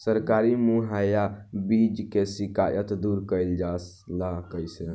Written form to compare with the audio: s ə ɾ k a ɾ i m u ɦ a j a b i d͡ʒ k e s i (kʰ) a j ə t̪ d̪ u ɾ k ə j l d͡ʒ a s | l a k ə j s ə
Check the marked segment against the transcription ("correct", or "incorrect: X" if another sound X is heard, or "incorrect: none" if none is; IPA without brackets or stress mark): incorrect: k